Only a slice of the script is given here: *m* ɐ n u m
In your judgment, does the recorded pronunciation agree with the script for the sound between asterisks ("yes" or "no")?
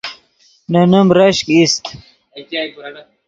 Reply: no